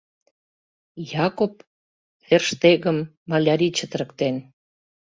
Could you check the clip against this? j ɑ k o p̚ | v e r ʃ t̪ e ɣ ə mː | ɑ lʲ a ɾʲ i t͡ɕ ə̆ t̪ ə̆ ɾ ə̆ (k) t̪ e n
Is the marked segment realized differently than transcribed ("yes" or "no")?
no